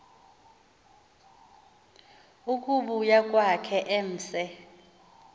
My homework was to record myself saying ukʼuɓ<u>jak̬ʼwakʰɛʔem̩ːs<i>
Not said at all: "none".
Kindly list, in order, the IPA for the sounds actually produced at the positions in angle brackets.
u, ɛ

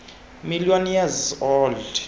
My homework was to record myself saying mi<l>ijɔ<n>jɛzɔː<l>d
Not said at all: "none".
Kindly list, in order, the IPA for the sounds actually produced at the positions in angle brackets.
l, n, l

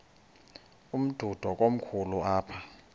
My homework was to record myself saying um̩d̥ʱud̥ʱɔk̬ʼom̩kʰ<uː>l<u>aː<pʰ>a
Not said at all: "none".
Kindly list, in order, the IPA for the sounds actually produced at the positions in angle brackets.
u, u, pʰ

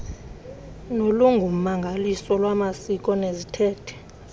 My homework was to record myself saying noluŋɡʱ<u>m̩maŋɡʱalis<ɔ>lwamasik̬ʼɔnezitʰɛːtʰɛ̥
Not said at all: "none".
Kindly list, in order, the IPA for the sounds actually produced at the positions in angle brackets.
u, ɔ

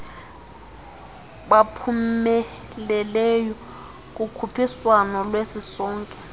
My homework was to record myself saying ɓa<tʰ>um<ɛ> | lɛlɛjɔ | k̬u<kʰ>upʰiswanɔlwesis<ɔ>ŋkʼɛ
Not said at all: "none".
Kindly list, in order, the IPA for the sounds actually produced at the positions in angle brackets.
pʰ, ɛ, kʰ, ɔː

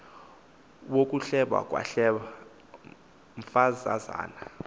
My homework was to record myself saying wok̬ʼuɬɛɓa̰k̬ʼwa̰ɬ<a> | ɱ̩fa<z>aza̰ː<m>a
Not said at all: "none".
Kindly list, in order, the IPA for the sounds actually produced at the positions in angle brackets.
ɛ, z, n

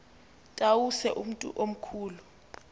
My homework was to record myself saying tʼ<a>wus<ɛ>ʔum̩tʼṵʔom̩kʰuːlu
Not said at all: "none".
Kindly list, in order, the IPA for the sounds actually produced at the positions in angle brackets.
a, ɛ

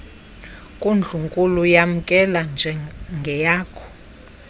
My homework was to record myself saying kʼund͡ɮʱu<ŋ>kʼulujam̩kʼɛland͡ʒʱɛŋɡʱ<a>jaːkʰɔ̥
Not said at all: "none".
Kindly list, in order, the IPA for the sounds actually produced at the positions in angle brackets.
ŋ, ɛ

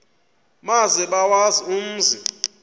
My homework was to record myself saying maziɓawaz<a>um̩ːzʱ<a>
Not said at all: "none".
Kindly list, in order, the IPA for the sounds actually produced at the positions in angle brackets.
i, i

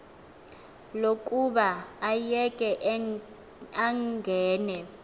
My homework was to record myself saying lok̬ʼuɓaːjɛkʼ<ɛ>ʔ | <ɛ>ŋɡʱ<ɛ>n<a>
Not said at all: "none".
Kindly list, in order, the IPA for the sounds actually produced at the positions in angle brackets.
ɛ, a, ɛː, ɛ

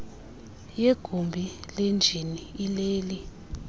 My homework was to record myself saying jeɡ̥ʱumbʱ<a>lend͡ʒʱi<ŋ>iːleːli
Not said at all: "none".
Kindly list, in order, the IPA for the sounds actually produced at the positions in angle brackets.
i, n

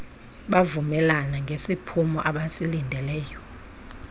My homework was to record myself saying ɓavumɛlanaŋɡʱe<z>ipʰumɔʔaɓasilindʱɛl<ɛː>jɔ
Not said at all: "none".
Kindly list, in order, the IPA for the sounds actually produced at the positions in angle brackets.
s, ɛː

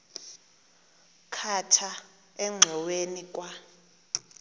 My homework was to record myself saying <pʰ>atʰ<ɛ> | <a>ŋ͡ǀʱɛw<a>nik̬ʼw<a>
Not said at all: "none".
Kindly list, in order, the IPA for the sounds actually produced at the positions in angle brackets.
kʰ, a, ɛ, e, a

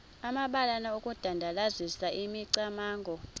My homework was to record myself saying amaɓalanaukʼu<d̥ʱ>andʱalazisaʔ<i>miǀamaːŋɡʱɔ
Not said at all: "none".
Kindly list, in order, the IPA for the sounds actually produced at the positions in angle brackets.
d̥ʱ, i

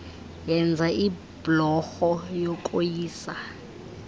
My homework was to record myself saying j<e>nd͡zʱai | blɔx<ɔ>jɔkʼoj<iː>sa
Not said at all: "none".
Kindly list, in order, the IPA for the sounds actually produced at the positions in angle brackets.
ɛ, ɔ, iː

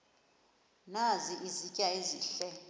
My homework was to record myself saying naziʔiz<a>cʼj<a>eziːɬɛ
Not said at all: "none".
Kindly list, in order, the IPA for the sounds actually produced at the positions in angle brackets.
i, a

